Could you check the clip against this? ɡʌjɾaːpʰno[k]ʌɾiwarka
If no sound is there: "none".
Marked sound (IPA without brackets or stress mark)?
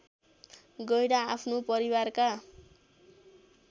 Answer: p